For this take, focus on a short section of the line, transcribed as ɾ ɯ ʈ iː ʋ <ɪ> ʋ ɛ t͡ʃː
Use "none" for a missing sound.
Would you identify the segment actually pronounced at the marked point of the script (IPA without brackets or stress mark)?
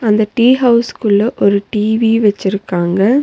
i